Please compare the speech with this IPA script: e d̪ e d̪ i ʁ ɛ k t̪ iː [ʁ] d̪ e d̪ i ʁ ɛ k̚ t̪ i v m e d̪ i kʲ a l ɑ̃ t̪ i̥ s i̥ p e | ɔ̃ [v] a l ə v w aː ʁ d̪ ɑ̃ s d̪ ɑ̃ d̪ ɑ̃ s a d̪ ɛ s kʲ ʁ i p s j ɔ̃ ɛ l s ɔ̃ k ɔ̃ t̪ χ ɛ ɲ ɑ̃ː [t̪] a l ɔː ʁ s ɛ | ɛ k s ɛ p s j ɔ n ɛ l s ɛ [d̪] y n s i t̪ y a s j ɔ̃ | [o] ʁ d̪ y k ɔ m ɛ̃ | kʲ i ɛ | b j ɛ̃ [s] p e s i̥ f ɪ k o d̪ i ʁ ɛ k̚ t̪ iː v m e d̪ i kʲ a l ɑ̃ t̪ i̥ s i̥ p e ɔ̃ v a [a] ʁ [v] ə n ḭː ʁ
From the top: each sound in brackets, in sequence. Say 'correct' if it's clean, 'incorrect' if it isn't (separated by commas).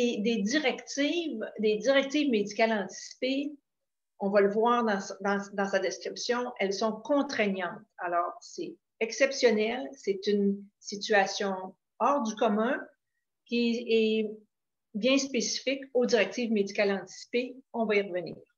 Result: incorrect, correct, correct, incorrect, incorrect, correct, incorrect, correct